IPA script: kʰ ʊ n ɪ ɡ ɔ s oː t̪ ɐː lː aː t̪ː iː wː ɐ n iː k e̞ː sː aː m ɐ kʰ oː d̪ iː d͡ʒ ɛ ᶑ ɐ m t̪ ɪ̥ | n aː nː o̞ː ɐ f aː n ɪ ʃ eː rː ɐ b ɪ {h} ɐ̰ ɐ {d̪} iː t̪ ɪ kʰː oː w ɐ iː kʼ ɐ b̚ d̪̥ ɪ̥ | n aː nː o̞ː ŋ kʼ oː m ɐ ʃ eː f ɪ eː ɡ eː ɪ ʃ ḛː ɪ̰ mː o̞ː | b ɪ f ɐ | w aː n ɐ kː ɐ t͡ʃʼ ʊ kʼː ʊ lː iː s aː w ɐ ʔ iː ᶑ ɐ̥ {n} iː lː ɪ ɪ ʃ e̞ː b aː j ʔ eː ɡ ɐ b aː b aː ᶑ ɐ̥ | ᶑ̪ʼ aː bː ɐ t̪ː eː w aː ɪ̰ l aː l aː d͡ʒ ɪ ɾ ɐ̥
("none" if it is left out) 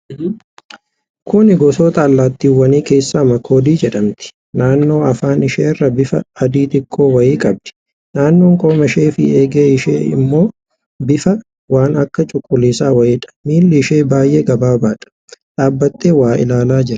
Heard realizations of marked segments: f, d̪, m

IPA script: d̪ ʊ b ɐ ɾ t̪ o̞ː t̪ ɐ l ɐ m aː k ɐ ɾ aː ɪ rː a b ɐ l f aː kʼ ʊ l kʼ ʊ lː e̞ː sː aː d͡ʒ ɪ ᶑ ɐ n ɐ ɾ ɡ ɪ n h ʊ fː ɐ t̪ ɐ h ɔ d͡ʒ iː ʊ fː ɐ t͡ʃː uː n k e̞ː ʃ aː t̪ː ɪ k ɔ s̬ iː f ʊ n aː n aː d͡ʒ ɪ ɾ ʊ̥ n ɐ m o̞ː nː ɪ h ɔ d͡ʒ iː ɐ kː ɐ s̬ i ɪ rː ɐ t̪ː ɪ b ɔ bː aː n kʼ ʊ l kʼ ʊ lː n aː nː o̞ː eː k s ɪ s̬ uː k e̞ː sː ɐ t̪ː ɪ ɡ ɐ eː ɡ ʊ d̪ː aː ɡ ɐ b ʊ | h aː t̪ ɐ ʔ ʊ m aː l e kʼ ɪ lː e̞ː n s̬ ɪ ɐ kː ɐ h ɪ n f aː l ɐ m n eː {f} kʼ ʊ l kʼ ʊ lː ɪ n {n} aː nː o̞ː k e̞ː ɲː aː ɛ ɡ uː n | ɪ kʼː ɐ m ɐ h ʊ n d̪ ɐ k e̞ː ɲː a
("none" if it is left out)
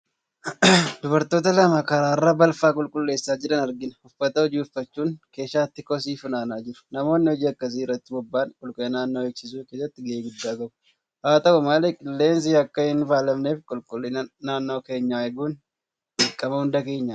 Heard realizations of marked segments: f, n

